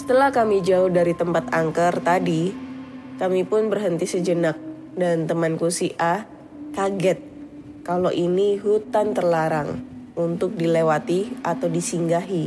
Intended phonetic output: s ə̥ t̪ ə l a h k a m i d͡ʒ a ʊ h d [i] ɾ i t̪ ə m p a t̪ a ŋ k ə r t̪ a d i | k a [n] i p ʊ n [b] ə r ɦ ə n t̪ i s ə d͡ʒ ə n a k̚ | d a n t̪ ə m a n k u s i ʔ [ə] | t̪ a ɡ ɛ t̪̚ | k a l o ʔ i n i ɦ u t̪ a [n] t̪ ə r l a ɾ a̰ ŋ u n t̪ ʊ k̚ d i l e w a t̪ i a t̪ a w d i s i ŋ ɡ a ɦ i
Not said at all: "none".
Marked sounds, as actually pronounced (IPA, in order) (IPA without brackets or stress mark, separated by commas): a, m, b, a, n